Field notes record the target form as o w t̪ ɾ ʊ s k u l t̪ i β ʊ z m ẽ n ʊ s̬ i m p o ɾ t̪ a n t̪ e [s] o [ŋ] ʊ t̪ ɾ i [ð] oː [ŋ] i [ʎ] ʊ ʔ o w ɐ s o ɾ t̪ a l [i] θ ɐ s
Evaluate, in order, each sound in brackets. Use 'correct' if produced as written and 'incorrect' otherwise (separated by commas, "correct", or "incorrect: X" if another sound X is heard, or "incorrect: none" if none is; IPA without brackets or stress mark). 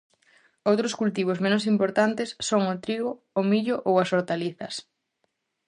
incorrect: sː, correct, incorrect: ɣ, incorrect: m, correct, correct